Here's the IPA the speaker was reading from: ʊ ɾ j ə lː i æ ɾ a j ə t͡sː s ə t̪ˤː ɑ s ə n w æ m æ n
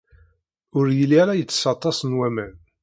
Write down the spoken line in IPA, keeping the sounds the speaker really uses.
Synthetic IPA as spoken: ʊ ɾ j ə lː i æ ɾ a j ə t͡sː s ɑ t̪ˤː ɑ s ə n w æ m æ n